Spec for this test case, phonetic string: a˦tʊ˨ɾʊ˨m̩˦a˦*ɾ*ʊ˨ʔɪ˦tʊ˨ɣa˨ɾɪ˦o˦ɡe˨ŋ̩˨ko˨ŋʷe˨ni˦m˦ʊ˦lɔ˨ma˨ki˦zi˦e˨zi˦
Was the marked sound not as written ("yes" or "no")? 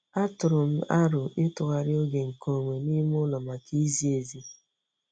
no